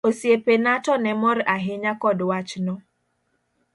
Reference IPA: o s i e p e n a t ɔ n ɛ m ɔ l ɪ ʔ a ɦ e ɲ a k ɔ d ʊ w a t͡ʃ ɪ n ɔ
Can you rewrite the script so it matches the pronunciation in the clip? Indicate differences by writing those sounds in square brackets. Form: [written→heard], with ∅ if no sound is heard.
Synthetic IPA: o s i e p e n a t ɔ n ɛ m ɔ [l→ɾ] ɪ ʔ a ɦ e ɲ a k ɔ d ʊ w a t͡ʃ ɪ n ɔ